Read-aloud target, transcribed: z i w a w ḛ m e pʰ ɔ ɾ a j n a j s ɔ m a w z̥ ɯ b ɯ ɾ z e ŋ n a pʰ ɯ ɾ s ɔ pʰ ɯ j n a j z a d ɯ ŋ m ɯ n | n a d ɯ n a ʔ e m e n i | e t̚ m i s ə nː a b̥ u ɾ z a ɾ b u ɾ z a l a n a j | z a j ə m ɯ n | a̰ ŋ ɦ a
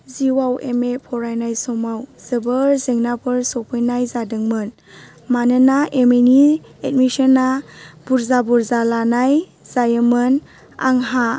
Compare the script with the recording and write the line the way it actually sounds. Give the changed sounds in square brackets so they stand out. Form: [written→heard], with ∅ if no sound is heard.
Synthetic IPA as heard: z i w a w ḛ m e pʰ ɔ ɾ a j n a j s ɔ m a w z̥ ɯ b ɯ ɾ z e ŋ n a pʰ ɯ ɾ s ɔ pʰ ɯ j n a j z a d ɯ ŋ m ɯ n | [n→m] a [d→n] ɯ n a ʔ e m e n i | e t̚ m i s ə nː a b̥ u ɾ z a [ɾ→∅] b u ɾ z a l a n a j | z a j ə m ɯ n | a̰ ŋ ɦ a